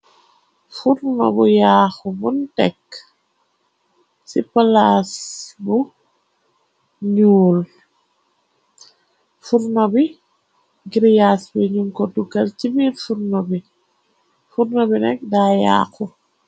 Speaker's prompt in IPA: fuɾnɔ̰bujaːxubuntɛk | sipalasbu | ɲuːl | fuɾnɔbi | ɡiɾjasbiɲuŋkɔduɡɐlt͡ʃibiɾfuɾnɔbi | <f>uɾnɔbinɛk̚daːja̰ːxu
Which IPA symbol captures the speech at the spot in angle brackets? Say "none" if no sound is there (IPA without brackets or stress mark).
f